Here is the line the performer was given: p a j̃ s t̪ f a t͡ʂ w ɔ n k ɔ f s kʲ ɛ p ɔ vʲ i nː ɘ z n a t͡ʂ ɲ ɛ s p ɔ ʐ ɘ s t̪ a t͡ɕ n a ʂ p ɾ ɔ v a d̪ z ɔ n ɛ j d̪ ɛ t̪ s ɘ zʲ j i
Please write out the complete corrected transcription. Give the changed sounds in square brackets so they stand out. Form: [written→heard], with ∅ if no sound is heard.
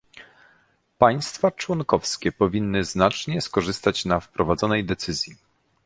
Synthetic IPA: p a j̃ s t̪ f a t͡ʂ w ɔ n k ɔ f s kʲ ɛ p ɔ vʲ i nː ɘ z n a t͡ʂ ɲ ɛ s [p→k] ɔ ʐ ɘ s t̪ a t͡ɕ n a [ʂ→f] p ɾ ɔ v a d̪ z ɔ n ɛ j d̪ ɛ t̪ s ɘ zʲ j i

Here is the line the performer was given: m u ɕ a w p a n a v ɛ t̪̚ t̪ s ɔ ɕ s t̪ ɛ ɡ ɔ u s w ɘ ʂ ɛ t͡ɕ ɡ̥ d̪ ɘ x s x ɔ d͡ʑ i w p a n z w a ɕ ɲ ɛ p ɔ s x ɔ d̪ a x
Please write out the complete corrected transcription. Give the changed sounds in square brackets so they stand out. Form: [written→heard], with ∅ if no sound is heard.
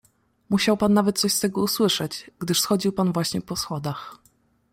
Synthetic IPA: m u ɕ a w p a [n→nː] a v ɛ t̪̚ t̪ s ɔ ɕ s t̪ ɛ ɡ ɔ u s w ɘ ʂ ɛ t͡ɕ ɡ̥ d̪ ɘ [x→ʂ] s x ɔ d͡ʑ i w p a n [z→v] w a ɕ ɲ ɛ p ɔ s x ɔ d̪ a x

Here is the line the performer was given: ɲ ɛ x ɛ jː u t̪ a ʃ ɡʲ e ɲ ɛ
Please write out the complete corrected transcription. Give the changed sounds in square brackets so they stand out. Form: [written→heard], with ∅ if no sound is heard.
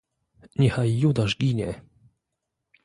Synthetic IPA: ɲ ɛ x [ɛ→a] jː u [t̪→d̪] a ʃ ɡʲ [e→i] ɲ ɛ

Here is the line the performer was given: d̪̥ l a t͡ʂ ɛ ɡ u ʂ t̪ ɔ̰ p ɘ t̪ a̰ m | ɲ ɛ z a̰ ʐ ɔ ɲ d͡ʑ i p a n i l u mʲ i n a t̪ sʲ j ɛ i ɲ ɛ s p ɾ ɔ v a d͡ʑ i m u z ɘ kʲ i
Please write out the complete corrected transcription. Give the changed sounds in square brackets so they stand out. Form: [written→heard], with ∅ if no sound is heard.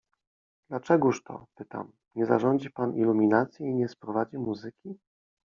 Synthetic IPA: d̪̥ l a t͡ʂ ɛ ɡ u ʂ t̪ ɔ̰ p ɘ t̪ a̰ m | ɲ ɛ z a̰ ʐ ɔ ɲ d͡ʑ i p a n i l u mʲ i n a t̪ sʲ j ɛ i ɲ ɛ s p ɾ ɔ v a d͡ʑ i m u z ɘ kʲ i

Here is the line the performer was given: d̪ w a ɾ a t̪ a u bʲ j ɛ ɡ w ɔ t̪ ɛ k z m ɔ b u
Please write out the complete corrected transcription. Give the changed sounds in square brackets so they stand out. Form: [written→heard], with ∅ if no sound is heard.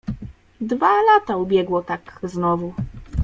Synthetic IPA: d̪ [w→v] a [ɾ→l] a t̪ a u bʲ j ɛ ɡ w ɔ t̪ [ɛ→a] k z [m→n] ɔ [b→v] u

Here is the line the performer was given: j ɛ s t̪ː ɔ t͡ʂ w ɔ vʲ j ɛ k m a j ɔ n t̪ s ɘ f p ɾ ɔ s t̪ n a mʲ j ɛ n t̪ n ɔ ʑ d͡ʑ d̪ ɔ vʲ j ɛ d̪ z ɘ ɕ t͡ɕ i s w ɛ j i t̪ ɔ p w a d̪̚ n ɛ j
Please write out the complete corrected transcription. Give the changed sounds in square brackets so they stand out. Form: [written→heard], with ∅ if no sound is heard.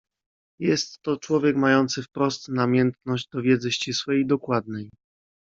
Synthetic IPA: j ɛ s t̪ː ɔ t͡ʂ w ɔ vʲ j ɛ k m a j ɔ n t̪ s ɘ f p ɾ ɔ s t̪ n a mʲ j ɛ n t̪ n ɔ ʑ d͡ʑ d̪ ɔ vʲ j ɛ d̪ z ɘ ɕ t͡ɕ i s w ɛ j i [t̪→d̪] ɔ [p→k] w a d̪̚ n ɛ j

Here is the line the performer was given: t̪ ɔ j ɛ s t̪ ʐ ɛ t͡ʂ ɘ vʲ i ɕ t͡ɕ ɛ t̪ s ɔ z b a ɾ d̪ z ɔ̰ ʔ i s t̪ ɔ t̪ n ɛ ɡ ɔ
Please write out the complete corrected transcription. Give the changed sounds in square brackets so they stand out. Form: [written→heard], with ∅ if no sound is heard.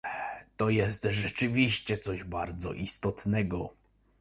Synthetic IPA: t̪ ɔ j ɛ s t̪ ʐ ɛ t͡ʂ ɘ vʲ i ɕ t͡ɕ ɛ t̪ s ɔ [z→ʑ] b a ɾ d̪ z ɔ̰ ʔ i s t̪ ɔ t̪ n ɛ ɡ ɔ

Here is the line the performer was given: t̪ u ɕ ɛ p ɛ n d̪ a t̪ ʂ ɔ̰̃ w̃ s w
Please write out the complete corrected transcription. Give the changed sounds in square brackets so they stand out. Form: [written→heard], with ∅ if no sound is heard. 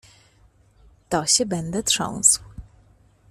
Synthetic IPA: t̪ [u→ɔ] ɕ ɛ [p→b] ɛ n d̪ [a→ɛ] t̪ ʂ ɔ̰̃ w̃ s w

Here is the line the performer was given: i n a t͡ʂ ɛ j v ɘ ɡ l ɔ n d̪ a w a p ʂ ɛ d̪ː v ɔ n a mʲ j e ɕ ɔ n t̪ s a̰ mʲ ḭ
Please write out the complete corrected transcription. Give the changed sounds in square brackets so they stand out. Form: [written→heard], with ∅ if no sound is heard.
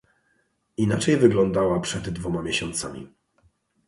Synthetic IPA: i n a t͡ʂ ɛ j v ɘ ɡ l ɔ n d̪ a w a p ʂ ɛ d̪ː v ɔ [n→m] a mʲ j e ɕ ɔ n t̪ s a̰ mʲ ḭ

